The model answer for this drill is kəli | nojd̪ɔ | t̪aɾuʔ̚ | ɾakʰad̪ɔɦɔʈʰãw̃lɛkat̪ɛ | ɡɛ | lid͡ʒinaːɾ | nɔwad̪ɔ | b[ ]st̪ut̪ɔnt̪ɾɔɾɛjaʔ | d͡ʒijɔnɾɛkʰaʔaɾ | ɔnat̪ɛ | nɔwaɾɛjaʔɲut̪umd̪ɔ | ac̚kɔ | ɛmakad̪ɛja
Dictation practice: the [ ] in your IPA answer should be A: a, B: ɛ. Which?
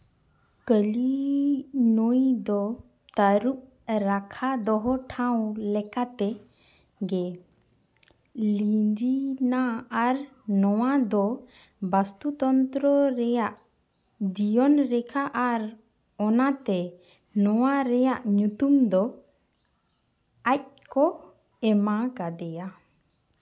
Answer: A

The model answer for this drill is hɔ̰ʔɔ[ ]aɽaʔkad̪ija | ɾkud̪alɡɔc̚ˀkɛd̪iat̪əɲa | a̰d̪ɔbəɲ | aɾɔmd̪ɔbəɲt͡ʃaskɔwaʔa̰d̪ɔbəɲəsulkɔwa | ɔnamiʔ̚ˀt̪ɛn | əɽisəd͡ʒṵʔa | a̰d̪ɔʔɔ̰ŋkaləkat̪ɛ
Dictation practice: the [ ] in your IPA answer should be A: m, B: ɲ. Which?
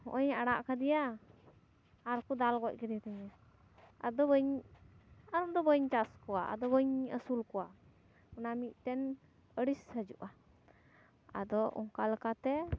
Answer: B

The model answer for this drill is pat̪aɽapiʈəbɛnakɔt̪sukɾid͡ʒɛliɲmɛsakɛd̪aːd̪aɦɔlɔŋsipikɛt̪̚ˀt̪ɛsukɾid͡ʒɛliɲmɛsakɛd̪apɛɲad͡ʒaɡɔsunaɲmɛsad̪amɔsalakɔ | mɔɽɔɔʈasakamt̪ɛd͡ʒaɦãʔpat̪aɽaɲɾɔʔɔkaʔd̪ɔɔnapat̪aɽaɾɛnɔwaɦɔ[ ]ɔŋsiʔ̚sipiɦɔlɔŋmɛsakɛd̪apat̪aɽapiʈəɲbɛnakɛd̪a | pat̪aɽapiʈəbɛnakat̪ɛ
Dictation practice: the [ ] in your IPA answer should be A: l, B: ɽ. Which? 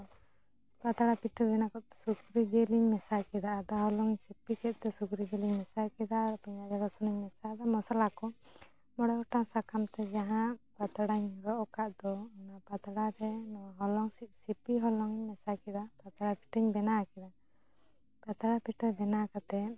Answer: A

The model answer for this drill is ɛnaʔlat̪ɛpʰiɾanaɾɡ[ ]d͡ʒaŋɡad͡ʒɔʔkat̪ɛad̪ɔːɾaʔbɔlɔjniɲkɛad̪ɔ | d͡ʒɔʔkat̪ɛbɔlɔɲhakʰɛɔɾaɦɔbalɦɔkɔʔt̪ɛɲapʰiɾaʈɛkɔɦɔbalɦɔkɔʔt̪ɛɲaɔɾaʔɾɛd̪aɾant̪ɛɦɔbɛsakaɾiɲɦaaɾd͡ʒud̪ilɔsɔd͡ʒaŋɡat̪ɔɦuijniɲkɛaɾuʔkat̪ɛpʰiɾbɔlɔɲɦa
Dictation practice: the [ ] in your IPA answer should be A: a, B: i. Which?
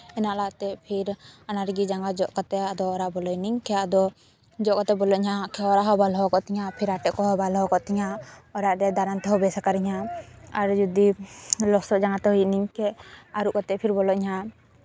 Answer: B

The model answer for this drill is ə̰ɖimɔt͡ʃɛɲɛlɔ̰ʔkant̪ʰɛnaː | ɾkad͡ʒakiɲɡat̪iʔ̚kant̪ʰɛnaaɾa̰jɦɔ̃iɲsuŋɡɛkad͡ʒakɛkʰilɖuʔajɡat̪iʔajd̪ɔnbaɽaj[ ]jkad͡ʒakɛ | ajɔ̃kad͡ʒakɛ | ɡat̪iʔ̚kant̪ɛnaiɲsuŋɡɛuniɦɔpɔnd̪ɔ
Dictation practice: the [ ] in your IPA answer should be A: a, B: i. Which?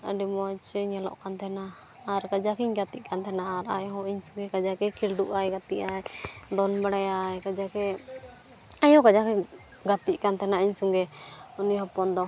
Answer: A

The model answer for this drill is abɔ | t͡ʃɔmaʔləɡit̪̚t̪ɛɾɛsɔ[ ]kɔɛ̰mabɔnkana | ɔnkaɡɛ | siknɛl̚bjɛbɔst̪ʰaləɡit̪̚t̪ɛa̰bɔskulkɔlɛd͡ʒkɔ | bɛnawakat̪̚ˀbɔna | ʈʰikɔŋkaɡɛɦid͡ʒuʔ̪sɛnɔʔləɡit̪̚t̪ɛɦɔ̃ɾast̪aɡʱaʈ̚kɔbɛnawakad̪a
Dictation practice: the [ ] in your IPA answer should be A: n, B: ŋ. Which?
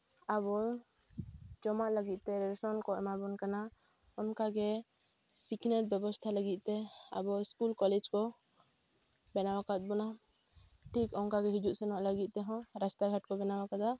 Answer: A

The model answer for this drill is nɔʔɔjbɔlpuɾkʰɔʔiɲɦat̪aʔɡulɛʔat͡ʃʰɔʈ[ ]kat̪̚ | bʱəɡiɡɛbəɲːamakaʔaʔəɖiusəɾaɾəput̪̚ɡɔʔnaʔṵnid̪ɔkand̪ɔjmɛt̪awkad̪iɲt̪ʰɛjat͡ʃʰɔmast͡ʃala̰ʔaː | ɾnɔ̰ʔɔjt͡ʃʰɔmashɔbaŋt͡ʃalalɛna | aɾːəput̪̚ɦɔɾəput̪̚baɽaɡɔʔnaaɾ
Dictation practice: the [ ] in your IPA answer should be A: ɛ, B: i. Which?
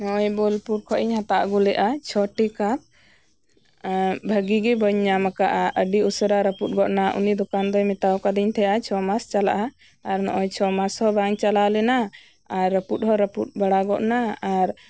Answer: B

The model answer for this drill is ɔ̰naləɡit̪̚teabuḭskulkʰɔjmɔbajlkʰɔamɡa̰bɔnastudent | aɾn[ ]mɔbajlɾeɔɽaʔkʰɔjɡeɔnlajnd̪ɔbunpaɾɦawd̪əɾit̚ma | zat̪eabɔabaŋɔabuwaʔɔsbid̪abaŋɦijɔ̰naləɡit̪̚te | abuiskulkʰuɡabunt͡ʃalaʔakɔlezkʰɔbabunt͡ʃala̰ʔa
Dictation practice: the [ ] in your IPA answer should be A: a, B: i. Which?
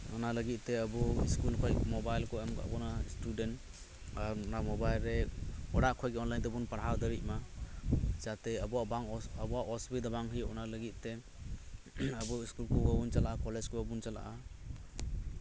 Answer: A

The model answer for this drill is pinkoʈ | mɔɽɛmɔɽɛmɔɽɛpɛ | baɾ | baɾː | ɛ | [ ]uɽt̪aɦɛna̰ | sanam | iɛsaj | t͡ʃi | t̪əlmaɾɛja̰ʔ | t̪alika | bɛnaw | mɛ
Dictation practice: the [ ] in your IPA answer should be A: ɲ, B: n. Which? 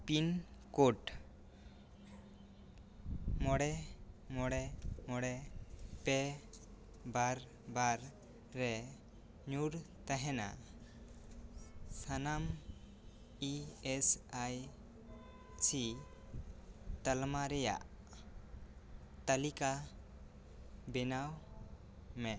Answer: A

